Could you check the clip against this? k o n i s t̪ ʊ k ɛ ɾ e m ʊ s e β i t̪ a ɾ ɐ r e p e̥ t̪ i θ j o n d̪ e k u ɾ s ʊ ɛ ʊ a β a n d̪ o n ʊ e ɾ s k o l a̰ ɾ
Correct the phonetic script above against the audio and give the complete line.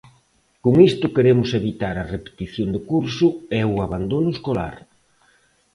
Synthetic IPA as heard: k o ŋ i s t̪ ʊ k e ɾ e m ʊ s e β i t̪ a ɾ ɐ r e p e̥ t̪ i θ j o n d̪ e k u ɾ s ʊ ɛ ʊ a β a n d̪ o n ʊ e s k o l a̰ ɾ